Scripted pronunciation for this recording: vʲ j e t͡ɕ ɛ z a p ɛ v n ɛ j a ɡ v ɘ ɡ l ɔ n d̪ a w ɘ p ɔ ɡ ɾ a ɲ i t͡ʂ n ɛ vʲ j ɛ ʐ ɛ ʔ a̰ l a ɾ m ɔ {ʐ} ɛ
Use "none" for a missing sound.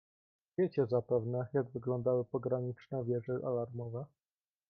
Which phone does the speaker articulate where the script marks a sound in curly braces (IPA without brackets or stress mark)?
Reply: v